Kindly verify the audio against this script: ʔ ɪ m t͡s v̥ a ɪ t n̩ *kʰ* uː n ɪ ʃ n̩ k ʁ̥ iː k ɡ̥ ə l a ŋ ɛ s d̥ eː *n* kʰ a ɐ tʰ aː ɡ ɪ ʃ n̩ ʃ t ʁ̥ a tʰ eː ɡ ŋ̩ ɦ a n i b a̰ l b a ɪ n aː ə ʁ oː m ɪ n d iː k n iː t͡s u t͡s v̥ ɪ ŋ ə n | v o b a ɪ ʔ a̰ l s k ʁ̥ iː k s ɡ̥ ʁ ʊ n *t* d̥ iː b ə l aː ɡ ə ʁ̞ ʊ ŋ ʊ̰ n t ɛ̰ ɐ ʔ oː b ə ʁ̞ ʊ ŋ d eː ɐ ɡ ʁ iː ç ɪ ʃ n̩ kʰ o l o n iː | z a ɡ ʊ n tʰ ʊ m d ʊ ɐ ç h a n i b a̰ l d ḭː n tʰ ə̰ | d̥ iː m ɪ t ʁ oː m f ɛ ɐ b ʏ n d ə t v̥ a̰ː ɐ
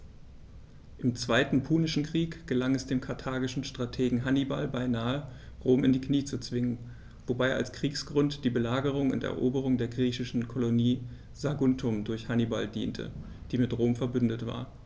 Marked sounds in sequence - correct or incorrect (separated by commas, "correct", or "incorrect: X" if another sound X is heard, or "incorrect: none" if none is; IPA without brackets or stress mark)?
incorrect: pʰ, incorrect: m, correct